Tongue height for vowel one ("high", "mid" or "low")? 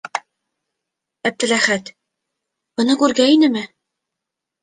low